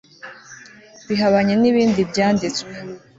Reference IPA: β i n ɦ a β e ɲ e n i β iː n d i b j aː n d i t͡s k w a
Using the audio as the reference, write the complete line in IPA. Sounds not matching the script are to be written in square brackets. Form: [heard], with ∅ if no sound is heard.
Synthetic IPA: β i [∅] ɦ a β [a] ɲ e n i β iː n d i b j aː n d i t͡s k w [e]